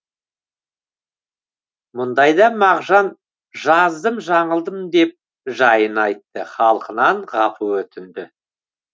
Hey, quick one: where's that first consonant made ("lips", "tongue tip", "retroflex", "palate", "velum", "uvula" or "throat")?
lips